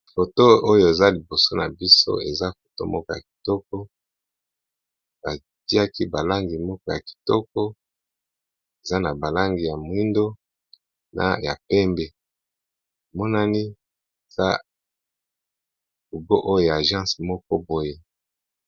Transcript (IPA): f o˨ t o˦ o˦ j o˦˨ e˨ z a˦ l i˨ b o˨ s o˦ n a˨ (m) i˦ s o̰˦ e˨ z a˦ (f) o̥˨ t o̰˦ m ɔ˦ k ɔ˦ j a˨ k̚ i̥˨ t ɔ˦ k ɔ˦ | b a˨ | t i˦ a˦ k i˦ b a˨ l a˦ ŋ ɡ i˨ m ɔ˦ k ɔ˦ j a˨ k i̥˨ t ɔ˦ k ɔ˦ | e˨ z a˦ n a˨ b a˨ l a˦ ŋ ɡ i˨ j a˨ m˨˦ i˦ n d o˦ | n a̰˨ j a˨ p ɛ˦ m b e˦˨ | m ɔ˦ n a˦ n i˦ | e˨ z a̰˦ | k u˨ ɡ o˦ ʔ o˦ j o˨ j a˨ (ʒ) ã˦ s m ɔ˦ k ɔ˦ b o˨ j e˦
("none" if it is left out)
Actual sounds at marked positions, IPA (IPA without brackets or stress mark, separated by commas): b, f, ʒ